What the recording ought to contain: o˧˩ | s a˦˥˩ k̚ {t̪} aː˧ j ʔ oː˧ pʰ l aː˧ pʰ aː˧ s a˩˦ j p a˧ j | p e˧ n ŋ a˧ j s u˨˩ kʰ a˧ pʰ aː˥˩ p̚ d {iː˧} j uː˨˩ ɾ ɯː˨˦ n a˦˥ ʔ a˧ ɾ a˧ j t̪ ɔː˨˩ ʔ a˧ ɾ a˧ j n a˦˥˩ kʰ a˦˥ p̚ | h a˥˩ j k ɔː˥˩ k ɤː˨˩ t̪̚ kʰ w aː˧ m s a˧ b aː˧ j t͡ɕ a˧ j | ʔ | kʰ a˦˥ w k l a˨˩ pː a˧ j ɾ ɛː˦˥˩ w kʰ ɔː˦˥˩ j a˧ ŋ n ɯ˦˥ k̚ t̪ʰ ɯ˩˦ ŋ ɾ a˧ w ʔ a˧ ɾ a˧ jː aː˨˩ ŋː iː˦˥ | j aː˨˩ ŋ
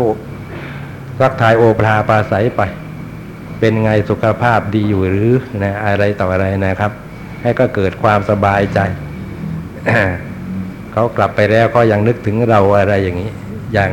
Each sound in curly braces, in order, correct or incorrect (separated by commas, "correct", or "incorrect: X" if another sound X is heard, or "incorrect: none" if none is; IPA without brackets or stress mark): incorrect: t̪ʰ, correct